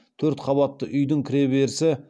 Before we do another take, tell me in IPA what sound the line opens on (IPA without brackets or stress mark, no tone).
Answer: t̪ʰ